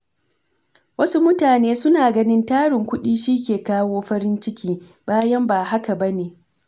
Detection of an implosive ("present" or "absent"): present